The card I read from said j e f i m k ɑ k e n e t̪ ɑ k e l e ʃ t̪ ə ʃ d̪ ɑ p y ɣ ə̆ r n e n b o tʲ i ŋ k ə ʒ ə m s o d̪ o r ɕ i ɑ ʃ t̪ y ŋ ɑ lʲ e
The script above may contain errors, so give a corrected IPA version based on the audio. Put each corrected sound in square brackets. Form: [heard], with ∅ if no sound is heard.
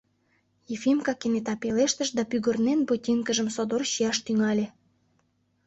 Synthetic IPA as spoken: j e f i m k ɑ k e n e t̪ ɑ [p] e l e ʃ t̪ ə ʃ d̪ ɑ p y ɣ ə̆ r n e n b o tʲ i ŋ k ə ʒ ə m s o d̪ o r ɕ i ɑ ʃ t̪ y ŋ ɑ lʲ e